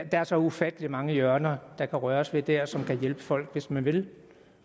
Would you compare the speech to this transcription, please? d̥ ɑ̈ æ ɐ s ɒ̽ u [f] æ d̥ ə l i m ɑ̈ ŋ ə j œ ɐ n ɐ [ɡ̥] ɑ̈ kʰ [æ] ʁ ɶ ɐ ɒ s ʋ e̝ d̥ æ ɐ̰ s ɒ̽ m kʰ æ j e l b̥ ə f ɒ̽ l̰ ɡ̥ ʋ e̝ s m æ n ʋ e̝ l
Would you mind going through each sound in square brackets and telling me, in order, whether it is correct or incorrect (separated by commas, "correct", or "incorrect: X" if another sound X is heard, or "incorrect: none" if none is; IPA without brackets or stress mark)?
correct, incorrect: d̥, correct